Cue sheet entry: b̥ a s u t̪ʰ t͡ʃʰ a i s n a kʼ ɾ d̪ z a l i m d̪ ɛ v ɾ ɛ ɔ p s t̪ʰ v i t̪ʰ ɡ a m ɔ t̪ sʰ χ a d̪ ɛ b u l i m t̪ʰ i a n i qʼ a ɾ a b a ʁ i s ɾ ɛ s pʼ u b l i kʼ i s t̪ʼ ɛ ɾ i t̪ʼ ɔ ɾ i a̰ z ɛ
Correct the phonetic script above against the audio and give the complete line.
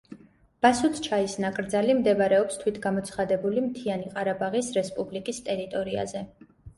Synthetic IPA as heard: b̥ a s u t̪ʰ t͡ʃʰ a i s n a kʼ ɾ d̪ z a l i m d̪ ɛ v ɾ ɛ ɔ p s t̪ʰ w i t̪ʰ ɡ a m ɔ t̪ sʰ χ a d̪ ɛ b u l i m t̪ʰ i a n i qʼ a ɾ a b a ʁ i s ɾ ɛ s pʼ u b l i kʼ i s t̪ʼ ɛ ɾ i t̪ʼ ɔ ɾ i a̰ z ɛ